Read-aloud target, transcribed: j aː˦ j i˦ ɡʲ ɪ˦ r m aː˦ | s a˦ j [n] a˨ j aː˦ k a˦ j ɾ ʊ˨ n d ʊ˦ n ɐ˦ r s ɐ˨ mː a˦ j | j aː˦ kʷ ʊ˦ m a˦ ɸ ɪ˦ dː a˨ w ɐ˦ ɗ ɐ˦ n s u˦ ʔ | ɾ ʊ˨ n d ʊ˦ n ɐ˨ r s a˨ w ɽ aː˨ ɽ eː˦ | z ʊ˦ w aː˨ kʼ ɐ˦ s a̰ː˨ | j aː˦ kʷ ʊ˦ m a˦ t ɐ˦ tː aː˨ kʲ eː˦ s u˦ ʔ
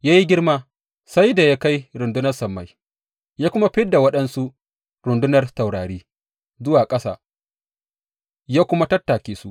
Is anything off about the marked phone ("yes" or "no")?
yes